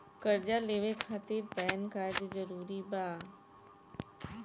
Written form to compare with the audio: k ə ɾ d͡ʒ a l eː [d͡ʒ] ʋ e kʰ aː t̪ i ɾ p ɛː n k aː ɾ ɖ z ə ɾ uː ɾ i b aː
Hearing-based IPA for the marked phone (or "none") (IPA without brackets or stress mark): none